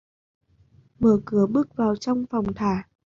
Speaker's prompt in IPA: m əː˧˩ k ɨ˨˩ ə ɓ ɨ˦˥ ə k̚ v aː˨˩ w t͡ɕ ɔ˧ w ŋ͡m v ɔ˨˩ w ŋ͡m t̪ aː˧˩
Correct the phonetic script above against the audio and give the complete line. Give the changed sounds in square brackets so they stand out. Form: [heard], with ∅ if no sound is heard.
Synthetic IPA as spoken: m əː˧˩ k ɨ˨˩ ə ɓ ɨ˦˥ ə k̚ v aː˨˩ w t͡ɕ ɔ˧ w ŋ͡m [f] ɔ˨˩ w ŋ͡m [t̪ʰ] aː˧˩